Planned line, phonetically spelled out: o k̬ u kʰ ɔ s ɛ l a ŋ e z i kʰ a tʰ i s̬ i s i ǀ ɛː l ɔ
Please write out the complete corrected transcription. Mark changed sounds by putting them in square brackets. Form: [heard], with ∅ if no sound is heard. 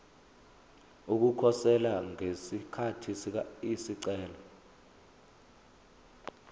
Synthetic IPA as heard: [u] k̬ u kʰ ɔ s ɛ l a ŋ e [s] i kʰ a tʰ i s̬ i s i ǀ ɛː l ɔ